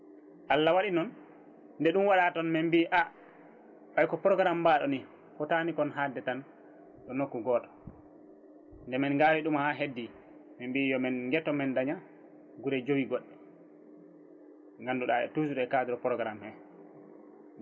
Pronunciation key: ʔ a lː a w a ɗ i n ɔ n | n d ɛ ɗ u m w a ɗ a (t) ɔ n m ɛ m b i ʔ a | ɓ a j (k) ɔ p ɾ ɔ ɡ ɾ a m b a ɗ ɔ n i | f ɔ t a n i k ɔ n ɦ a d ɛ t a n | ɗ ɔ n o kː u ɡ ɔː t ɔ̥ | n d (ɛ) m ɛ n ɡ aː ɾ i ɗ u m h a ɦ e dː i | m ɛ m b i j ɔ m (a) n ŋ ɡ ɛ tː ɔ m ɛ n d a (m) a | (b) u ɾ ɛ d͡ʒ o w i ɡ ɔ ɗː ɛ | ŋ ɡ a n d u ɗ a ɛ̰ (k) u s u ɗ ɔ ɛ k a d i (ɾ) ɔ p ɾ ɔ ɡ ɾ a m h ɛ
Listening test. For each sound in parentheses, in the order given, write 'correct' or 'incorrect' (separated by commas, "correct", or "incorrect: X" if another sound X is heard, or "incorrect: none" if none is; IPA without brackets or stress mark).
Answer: correct, correct, correct, incorrect: ɛ, incorrect: ɲ, incorrect: ɡ, incorrect: t, correct